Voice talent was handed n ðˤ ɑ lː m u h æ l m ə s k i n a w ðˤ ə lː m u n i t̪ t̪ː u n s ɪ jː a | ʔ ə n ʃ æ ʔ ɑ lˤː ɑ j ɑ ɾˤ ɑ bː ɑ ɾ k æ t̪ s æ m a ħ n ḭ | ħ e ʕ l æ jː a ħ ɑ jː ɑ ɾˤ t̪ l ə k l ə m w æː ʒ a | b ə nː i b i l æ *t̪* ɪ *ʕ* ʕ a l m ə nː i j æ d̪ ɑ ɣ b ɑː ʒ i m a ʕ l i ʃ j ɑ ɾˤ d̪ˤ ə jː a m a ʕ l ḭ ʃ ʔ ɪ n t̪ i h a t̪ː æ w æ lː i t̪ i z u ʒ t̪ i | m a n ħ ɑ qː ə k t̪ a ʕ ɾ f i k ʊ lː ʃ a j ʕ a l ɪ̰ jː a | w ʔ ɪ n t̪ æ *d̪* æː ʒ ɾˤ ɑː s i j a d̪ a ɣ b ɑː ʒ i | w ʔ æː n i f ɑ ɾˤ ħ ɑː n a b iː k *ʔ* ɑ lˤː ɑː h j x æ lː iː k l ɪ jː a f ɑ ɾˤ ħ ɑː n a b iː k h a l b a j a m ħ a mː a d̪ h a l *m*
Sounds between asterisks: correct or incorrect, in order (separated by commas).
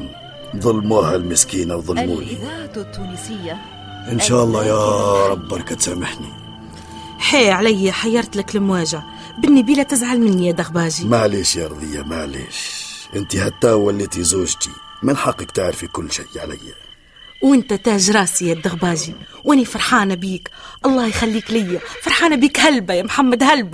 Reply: correct, incorrect, incorrect, correct, incorrect